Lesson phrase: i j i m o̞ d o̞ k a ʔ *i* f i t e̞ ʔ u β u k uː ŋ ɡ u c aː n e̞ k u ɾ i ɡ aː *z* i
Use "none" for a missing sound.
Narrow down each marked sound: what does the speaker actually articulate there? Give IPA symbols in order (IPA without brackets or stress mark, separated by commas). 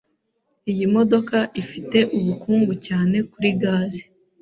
i, z